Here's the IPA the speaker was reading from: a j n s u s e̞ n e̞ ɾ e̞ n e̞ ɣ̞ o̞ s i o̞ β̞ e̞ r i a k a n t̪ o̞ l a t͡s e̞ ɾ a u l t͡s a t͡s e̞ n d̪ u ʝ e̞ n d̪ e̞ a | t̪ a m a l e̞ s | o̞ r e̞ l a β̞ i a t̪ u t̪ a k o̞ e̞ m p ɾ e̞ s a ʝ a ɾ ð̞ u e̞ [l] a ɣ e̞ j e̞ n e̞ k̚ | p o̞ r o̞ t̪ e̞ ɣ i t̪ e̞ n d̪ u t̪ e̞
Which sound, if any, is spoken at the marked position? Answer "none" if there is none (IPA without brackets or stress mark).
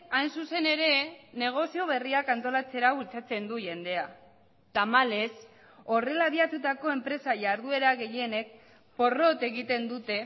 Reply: ɾ